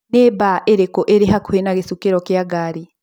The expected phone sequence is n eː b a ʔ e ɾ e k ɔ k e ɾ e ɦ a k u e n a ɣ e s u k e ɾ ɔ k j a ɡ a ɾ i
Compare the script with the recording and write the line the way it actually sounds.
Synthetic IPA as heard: n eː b a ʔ e ɾ e k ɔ ʔ e ɾ e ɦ a k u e n a ɣ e s u k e ɾ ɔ k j a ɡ a ɾ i